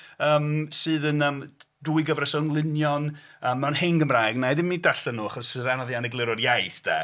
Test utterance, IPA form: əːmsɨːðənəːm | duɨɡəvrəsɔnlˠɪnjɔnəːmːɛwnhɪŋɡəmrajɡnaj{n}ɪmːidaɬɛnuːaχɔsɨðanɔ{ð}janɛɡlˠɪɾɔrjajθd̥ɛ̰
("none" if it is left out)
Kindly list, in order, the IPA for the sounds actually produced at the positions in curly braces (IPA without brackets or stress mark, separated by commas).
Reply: d, ð